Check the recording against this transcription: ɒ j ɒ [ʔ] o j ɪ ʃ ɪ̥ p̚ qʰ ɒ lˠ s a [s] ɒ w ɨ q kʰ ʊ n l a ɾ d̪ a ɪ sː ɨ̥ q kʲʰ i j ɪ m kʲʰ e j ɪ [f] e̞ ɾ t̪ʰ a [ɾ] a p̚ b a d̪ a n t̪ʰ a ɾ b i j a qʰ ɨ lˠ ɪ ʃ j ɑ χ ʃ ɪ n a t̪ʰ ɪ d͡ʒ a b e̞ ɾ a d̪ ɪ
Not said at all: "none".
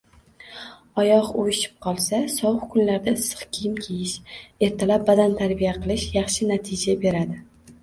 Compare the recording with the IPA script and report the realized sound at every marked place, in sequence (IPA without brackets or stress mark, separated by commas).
q, s, ʃ, l